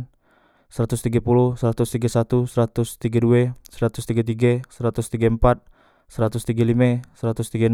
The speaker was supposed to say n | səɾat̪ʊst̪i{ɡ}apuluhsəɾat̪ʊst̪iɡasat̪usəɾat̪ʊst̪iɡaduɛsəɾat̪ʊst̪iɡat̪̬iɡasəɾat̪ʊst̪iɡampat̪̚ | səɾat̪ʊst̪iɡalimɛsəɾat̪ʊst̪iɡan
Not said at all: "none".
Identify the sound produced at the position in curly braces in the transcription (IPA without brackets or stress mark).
ɡ